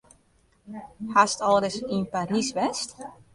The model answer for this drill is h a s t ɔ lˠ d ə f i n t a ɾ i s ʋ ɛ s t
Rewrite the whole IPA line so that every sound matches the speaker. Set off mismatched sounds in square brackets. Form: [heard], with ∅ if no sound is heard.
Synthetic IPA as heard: h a s t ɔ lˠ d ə [s] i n [p] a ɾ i s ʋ ɛ s t